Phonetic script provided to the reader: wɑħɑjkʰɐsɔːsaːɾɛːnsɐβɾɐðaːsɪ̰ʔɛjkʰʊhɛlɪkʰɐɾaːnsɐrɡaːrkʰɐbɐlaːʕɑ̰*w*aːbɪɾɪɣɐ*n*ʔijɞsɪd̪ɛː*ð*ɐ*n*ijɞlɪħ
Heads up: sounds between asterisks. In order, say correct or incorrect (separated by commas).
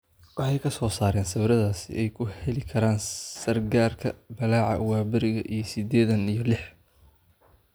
correct, incorrect, correct, correct